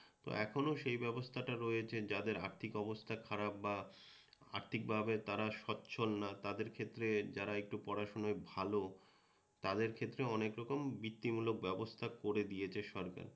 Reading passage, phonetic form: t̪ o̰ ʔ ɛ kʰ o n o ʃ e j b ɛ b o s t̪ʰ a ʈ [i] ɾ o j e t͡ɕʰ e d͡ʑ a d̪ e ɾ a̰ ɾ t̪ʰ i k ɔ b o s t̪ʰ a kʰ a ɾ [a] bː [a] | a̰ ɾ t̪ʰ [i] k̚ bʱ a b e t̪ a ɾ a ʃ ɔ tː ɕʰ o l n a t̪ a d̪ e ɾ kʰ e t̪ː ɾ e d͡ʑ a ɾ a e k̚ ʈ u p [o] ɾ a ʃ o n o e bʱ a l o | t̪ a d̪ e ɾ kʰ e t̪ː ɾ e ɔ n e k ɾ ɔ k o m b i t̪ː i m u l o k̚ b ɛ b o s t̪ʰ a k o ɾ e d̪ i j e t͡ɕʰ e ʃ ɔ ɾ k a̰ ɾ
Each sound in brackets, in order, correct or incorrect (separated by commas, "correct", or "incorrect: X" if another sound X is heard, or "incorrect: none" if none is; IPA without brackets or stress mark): incorrect: a, correct, correct, correct, incorrect: ɔ